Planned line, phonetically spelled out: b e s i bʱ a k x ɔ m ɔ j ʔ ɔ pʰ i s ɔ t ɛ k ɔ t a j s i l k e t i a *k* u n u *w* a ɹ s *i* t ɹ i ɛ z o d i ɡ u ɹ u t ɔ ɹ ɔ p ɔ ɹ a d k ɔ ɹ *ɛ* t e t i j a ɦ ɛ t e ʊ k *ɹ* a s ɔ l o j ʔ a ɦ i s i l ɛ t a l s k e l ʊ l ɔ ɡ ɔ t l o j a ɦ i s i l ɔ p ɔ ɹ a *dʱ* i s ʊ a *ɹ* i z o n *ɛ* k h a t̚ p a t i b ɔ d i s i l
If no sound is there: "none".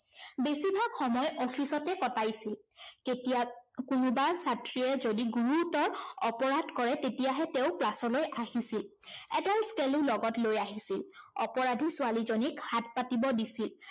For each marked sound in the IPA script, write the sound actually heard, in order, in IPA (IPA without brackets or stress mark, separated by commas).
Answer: k, b, a, ɛ, l, dʱ, l, i